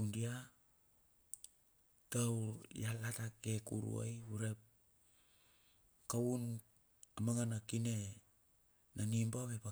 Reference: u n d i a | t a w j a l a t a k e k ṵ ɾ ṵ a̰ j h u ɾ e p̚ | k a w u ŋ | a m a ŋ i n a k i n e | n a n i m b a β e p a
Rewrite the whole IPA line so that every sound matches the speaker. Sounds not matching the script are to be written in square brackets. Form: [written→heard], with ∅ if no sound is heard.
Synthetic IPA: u n d i a | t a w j a l a t a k e k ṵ ɾ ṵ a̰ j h u ɾ e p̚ | k a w u [ŋ→n] | a m a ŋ [i→a] n a k i n e | n a n i m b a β e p a